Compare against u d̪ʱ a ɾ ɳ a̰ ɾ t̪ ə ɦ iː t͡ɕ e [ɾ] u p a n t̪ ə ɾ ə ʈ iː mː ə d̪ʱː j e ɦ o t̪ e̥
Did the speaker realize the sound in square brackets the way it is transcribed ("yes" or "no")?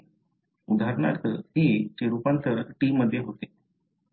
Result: yes